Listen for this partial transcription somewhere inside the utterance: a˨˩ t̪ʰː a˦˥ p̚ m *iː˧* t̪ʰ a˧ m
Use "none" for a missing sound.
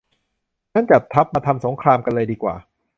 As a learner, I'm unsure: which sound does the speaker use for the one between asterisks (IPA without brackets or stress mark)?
aː˧